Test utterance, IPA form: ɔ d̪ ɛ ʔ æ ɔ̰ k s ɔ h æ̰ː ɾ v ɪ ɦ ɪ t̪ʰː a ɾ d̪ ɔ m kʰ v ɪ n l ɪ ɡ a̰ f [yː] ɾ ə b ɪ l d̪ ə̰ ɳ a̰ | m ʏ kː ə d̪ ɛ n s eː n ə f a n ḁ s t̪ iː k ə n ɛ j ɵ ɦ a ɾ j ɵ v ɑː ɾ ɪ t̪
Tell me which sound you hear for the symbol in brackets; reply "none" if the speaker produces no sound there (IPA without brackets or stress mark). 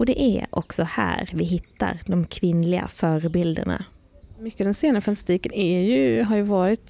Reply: œː